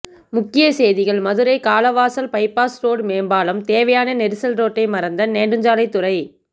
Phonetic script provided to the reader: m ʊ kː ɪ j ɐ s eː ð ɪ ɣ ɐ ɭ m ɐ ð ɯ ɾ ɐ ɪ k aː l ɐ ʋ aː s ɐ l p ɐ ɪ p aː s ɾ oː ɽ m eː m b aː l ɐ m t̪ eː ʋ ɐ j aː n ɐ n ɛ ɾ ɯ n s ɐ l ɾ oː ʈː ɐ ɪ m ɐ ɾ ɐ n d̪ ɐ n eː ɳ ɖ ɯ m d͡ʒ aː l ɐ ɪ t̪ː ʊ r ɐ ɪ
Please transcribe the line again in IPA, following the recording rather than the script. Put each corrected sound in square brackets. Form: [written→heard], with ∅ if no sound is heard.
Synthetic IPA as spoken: m ʊ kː ɪ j ɐ s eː ð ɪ ɣ ɐ ɭ m ɐ ð ɯ ɾ ɐ ɪ k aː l ɐ ʋ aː s ɐ l p ɐ ɪ p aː s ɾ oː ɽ m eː m b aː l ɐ m t̪ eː ʋ ɐ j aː n ɐ n ɛ ɾ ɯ [n→∅] s ɐ l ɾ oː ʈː ɐ ɪ m ɐ ɾ ɐ n d̪ ɐ n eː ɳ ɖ ɯ [m→ɲ] d͡ʒ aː l ɐ ɪ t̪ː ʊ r ɐ ɪ